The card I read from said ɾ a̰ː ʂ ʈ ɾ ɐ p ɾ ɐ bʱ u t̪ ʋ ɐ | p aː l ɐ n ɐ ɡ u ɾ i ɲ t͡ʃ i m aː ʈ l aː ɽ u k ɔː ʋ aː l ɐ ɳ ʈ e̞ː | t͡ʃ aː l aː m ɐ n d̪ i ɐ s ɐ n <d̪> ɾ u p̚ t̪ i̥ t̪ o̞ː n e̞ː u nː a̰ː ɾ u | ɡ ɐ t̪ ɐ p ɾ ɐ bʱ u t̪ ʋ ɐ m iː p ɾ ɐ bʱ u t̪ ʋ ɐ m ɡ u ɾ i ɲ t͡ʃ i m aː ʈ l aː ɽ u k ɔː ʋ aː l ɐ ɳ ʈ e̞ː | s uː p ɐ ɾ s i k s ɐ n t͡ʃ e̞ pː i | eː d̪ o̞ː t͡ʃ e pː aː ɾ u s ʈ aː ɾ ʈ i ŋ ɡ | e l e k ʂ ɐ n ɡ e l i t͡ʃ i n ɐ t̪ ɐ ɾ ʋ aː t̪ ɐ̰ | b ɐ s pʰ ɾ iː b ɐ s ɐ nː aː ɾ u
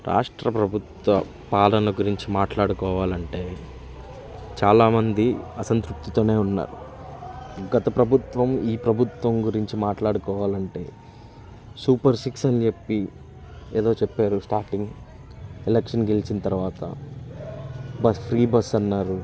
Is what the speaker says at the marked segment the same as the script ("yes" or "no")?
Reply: no